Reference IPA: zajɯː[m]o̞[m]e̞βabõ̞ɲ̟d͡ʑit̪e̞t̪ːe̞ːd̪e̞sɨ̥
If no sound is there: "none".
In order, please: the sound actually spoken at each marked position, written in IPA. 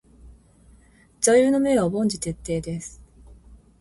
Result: n, m

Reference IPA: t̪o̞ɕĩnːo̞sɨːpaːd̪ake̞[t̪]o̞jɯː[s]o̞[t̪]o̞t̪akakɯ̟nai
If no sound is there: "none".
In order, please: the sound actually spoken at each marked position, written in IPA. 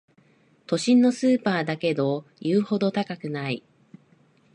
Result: d̪, h, d̪

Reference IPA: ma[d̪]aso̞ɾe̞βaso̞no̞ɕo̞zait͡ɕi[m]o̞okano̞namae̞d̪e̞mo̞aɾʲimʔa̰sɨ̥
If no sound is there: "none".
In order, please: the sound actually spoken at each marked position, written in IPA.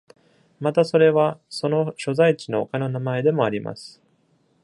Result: t̪, n

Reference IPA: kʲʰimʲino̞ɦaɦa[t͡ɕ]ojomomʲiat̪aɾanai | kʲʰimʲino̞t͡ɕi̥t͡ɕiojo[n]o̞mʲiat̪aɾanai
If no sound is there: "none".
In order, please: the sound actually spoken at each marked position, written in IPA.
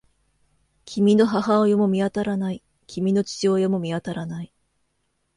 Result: none, m

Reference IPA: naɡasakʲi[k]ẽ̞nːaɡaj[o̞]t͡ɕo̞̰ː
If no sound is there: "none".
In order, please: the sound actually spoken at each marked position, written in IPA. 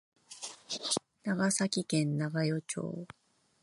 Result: k, o̞

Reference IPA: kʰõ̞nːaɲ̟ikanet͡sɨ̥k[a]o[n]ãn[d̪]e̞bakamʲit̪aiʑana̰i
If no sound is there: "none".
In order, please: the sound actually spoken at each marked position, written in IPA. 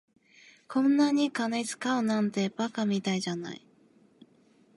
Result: a, n, t̪

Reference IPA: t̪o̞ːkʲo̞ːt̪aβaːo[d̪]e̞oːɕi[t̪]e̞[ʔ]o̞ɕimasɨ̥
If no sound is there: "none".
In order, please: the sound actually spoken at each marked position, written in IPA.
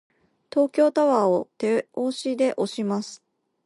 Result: t̪, d̪, ʔ

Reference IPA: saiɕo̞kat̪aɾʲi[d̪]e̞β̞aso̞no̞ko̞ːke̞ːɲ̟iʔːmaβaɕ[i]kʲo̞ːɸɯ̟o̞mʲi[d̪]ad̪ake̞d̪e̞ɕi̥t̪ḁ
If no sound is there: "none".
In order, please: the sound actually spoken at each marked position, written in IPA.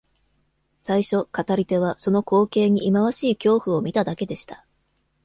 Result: t̪, iː, t̪

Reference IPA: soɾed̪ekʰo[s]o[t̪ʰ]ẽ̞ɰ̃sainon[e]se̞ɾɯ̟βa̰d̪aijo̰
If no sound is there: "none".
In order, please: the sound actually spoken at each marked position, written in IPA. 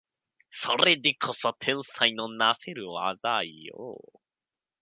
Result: s, t̪ʰ, a

